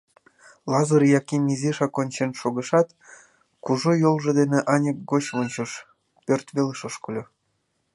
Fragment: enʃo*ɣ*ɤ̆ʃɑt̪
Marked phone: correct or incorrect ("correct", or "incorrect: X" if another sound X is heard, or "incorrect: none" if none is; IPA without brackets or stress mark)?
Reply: correct